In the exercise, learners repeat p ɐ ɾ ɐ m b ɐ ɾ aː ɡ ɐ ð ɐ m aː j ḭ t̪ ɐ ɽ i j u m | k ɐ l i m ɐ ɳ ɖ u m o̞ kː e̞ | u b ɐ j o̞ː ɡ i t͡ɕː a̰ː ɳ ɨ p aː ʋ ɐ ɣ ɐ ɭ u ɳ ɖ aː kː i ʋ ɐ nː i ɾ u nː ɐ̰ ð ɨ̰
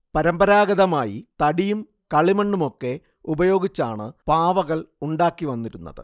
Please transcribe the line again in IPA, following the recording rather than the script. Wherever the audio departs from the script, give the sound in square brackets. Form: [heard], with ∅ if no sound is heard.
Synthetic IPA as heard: p ɐ ɾ ɐ m b ɐ ɾ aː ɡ ɐ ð ɐ m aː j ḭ t̪ ɐ ɽ i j u m | k ɐ [ɭ] i m ɐ ɳ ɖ u m o̞ kː e̞ | u b ɐ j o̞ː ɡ i t͡ɕː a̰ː ɳ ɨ p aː ʋ ɐ ɣ ɐ ɭ u ɳ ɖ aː kː i ʋ ɐ nː i ɾ u nː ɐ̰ ð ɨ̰

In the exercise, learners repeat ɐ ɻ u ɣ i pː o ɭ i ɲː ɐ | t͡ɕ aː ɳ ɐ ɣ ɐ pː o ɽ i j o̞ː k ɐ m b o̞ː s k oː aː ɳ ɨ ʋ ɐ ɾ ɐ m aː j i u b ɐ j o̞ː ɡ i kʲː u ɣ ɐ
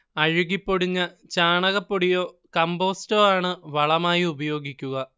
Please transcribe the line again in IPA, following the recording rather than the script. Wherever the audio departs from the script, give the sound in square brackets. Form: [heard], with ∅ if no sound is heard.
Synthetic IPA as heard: ɐ ɻ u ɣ i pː o [ɽ] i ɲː ɐ | t͡ɕ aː ɳ ɐ ɣ ɐ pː o ɽ i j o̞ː k ɐ m b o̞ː s [t] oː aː ɳ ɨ ʋ ɐ [ɭ] ɐ m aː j i u b ɐ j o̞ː ɡ i kʲː u ɣ ɐ

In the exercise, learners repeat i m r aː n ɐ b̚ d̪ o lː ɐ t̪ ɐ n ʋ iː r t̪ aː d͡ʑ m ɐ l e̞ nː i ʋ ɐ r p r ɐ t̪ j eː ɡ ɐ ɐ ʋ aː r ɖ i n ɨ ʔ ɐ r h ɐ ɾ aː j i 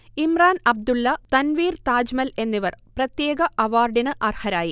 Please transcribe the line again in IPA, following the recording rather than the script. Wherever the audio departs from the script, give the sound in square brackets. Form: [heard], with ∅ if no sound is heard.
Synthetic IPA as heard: i m r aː n ɐ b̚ d̪ [u] lː ɐ t̪ ɐ n ʋ iː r t̪ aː d͡ʑ m ɐ l e̞ nː i ʋ ɐ r p r ɐ t̪ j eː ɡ ɐ ɐ ʋ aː r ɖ i n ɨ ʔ ɐ r h ɐ ɾ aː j i

